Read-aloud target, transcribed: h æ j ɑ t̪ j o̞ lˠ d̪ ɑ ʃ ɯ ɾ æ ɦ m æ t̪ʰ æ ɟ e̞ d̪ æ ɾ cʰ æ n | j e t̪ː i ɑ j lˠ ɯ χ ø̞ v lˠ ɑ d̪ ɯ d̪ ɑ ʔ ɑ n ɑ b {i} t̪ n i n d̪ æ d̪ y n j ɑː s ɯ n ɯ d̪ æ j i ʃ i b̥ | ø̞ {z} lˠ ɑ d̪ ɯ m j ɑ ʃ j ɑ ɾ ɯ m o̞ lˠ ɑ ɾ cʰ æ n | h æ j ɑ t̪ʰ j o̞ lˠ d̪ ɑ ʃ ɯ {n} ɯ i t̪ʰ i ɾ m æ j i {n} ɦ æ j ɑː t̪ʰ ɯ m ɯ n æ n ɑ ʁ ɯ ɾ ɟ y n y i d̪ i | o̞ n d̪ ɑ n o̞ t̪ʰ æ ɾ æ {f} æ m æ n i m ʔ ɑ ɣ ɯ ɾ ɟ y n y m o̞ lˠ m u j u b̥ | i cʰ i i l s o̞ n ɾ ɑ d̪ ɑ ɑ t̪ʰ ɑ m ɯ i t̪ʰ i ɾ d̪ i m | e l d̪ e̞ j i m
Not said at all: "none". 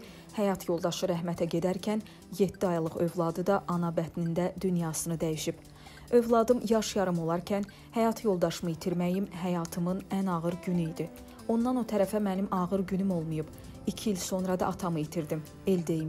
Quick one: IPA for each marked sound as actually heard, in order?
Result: æ, v, m, m, f

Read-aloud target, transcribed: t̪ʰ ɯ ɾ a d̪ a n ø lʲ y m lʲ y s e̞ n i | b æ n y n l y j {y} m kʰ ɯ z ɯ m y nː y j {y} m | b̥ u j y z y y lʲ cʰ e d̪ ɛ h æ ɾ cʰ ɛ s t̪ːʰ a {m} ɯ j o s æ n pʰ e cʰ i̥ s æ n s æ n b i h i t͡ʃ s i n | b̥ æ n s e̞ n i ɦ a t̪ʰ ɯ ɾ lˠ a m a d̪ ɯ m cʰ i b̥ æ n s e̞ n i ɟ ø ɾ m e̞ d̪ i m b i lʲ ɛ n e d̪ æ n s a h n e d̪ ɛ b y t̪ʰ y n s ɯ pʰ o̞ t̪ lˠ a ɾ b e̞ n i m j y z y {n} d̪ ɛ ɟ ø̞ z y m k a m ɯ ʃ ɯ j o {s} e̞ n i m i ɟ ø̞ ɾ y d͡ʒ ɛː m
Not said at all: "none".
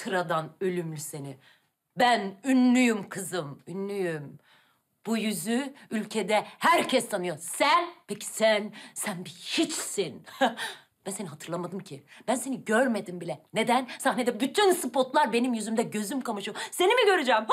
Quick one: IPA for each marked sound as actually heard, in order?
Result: y, y, n, m, s

